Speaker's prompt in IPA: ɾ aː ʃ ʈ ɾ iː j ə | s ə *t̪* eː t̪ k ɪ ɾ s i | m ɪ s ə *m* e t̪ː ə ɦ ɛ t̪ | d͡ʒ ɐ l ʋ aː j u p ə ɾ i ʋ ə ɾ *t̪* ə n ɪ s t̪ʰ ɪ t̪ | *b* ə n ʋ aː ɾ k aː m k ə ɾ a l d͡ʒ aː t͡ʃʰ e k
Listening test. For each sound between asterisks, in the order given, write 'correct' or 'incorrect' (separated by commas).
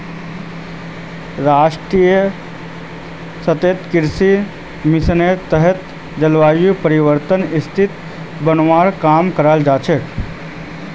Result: correct, incorrect, correct, correct